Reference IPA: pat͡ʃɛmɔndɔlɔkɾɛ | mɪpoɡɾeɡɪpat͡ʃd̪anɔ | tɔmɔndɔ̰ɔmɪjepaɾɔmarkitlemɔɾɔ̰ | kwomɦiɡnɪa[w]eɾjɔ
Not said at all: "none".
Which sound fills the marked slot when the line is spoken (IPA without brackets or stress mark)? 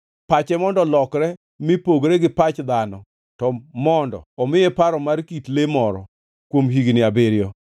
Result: b